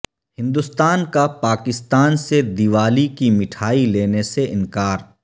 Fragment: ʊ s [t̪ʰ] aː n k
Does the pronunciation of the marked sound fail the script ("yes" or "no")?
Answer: yes